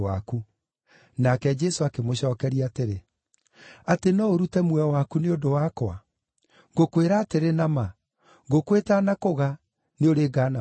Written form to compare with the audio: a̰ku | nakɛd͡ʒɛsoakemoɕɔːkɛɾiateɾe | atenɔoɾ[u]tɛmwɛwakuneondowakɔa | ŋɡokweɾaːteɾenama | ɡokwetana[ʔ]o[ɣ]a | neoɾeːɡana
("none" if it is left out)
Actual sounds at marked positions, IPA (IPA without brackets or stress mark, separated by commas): u, k, ɣ